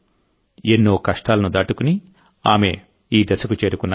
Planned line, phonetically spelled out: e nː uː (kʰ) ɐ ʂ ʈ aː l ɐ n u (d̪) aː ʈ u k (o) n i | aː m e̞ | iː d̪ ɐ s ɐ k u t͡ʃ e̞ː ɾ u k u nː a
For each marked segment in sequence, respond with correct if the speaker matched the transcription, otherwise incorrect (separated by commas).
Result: incorrect, correct, incorrect